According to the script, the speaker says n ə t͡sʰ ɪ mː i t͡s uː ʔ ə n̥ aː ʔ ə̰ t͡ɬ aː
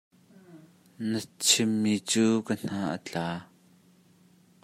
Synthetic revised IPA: n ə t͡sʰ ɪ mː i t͡s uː k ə n̥ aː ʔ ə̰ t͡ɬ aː